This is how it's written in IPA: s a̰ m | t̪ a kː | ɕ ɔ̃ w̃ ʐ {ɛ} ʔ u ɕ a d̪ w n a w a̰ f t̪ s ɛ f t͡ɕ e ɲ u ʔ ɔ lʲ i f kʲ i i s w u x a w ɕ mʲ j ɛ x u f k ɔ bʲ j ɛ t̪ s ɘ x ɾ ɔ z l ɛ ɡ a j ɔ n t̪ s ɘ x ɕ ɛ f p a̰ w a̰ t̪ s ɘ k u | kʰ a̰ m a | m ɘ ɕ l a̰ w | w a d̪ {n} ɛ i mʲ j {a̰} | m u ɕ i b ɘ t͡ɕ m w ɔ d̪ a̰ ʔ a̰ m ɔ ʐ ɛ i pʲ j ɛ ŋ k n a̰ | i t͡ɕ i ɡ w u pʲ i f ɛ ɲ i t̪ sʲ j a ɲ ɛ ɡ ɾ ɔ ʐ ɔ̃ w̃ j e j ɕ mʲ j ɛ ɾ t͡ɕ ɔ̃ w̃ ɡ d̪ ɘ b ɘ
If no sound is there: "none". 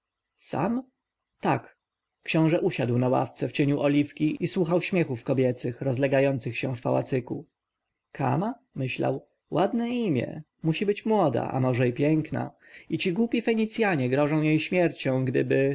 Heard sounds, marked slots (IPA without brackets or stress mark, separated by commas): ɛ, n, ɛ̰